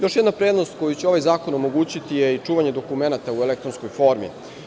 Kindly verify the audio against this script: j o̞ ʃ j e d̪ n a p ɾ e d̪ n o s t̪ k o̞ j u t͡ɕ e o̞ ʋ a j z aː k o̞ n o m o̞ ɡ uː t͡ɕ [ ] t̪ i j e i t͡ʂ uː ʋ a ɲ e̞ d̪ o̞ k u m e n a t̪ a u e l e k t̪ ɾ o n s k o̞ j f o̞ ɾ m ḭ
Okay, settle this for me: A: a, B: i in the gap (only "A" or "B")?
B